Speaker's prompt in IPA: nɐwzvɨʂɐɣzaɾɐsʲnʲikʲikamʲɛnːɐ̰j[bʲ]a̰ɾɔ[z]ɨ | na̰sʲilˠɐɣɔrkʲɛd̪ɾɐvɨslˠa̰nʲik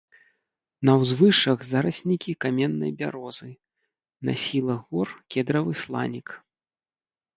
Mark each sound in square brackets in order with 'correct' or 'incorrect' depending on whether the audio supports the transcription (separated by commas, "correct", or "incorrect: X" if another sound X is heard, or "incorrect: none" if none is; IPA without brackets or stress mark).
correct, correct